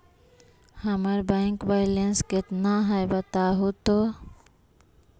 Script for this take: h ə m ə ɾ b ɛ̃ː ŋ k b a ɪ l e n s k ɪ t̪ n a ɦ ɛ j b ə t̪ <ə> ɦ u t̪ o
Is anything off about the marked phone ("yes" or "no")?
yes